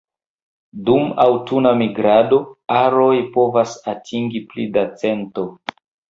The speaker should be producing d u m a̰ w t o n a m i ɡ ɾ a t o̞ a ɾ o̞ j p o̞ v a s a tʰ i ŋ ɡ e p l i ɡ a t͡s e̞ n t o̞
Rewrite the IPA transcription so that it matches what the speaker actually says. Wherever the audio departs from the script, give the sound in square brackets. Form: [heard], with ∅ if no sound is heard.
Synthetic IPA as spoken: d u m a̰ w t [u] n a m i ɡ ɾ a [d] o̞ a ɾ o̞ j p o̞ v a s a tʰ i ŋ ɡ [i] p l i [d] a t͡s e̞ n t o̞